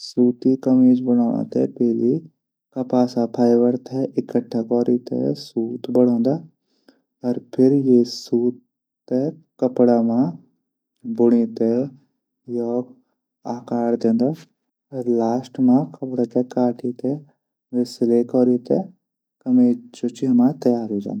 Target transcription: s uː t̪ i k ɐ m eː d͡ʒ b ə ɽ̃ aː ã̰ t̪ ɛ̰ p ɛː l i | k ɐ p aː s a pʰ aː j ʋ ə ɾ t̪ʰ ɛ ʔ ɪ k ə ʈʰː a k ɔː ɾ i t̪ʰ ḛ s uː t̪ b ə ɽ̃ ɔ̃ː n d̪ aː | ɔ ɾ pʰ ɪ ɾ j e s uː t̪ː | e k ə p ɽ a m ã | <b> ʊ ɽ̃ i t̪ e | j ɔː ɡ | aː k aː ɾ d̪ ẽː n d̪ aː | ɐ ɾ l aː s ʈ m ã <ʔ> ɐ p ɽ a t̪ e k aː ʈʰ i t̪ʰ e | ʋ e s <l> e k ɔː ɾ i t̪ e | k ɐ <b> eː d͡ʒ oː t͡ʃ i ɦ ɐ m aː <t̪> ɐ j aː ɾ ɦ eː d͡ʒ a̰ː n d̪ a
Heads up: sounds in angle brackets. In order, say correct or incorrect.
correct, incorrect, correct, incorrect, correct

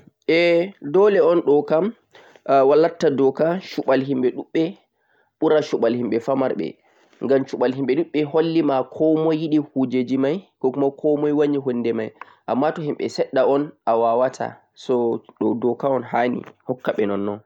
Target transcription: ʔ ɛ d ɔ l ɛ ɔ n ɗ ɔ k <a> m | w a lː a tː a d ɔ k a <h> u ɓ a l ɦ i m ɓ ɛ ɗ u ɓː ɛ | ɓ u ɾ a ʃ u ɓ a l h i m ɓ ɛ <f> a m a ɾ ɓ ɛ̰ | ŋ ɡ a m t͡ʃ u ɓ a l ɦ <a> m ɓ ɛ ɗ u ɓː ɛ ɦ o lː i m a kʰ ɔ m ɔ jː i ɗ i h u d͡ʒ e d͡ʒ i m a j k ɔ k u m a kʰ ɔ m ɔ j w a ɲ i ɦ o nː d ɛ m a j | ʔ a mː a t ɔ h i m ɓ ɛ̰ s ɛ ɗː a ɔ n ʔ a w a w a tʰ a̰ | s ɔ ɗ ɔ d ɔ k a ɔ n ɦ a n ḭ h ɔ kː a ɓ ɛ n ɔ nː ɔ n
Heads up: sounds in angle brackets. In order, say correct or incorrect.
correct, incorrect, correct, incorrect

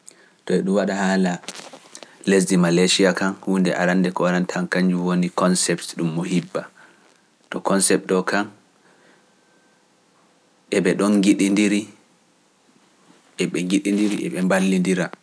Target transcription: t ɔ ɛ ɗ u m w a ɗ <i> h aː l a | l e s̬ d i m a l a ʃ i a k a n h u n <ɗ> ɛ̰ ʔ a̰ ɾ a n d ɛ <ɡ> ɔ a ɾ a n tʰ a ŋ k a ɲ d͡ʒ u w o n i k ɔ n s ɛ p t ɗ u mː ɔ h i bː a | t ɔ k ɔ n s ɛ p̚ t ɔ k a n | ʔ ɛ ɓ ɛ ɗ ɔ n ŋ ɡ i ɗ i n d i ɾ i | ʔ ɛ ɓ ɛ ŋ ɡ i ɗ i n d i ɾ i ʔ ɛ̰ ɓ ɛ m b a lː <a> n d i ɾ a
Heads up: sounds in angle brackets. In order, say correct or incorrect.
incorrect, incorrect, incorrect, incorrect

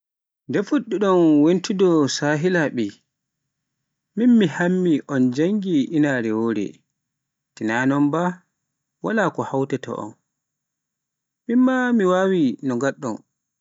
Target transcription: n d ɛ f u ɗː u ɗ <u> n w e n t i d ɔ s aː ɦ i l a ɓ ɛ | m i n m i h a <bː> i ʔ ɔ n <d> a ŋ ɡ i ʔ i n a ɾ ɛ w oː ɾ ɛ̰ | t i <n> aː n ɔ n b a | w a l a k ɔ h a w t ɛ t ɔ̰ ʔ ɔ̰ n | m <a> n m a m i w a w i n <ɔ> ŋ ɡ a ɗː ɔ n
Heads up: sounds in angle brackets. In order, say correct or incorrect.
incorrect, incorrect, incorrect, correct, incorrect, correct

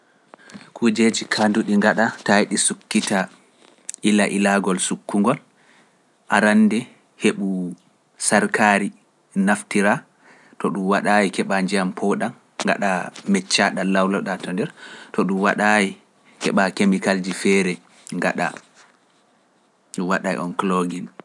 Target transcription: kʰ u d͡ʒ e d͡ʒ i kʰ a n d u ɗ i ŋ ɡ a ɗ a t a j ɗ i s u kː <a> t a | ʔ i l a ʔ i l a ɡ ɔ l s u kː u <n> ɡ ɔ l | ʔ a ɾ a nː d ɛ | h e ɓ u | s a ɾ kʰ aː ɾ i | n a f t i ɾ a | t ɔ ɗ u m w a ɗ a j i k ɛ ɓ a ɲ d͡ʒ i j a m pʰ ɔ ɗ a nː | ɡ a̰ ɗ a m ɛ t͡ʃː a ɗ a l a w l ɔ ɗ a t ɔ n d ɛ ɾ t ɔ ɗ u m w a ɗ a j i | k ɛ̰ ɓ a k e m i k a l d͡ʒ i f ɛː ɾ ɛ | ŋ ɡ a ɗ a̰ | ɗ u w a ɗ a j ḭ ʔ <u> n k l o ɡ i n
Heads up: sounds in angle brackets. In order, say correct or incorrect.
incorrect, incorrect, incorrect

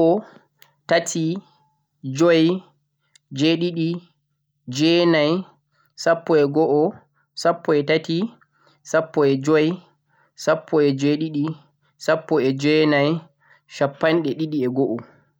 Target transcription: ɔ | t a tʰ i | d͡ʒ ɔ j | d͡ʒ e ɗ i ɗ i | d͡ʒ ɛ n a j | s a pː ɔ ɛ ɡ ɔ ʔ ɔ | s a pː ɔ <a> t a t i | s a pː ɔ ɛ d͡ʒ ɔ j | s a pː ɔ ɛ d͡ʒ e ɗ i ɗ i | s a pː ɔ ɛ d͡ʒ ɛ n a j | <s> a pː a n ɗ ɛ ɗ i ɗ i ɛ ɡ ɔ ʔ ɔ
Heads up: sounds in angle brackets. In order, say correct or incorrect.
incorrect, incorrect

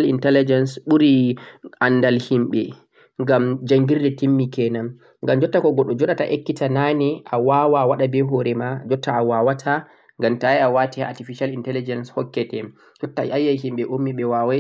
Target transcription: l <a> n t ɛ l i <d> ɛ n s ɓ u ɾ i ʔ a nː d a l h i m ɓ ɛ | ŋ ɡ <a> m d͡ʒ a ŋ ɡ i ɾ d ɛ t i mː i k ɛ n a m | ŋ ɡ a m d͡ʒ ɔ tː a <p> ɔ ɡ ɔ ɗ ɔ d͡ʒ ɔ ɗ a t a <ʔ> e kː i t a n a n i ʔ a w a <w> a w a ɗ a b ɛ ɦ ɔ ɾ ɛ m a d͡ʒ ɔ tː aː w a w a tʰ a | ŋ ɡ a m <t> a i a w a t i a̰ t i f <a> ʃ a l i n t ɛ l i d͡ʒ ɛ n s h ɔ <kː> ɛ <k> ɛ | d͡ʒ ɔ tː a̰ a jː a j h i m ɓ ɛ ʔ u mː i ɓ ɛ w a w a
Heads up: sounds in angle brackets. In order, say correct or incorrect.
incorrect, incorrect, correct, incorrect, correct, correct, correct, incorrect, correct, incorrect

